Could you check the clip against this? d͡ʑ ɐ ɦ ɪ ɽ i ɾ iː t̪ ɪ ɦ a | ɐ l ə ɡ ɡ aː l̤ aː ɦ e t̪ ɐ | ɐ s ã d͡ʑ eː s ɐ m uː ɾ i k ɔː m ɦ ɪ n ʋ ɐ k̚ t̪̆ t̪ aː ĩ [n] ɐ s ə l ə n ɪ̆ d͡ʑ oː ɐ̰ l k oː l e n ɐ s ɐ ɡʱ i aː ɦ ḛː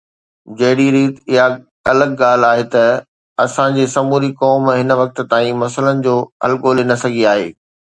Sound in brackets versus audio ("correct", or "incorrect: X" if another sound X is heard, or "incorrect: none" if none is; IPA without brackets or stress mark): incorrect: m